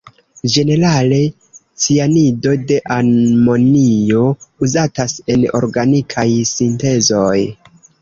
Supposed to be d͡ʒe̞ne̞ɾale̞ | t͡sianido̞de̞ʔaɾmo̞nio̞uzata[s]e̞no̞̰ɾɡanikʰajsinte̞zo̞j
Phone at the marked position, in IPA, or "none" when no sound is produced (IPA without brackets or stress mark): s